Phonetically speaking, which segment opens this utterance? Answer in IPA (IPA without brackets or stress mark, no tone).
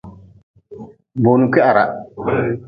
b